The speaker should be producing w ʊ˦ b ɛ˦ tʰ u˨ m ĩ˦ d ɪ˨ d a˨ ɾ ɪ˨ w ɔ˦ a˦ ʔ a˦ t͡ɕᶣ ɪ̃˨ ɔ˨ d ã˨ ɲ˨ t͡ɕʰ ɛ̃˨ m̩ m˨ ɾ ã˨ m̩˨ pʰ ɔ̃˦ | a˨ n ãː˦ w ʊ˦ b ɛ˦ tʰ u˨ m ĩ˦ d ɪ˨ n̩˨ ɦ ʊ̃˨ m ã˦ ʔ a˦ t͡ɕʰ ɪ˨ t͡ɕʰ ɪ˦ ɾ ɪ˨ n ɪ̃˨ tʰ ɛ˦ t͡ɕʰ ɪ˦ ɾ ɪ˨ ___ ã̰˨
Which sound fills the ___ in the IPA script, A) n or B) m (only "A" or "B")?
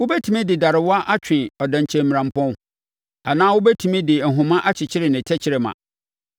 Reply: B